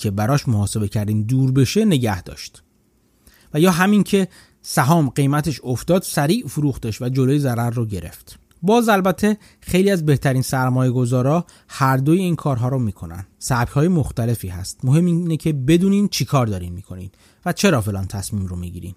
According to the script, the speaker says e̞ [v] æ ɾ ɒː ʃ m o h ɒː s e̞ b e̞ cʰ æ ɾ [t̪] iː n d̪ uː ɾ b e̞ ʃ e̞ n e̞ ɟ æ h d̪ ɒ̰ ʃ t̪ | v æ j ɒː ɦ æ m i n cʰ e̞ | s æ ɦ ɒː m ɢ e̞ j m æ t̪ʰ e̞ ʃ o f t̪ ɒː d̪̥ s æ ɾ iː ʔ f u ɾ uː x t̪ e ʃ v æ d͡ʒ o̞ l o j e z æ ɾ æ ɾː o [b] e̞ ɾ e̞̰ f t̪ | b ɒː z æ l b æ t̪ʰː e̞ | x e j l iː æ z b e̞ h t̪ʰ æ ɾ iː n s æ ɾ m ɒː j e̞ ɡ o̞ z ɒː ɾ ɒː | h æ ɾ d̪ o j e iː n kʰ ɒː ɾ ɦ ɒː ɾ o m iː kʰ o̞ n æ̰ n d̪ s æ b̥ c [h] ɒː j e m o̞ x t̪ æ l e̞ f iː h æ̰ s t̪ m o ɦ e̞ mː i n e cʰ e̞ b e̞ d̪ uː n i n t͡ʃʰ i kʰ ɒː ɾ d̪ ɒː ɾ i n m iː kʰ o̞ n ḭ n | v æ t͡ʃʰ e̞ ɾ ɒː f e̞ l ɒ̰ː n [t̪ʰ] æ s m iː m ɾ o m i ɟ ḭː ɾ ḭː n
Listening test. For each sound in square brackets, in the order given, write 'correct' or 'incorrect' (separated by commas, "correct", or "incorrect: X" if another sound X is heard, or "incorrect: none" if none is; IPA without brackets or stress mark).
incorrect: b, incorrect: d̪, incorrect: ɟ, correct, correct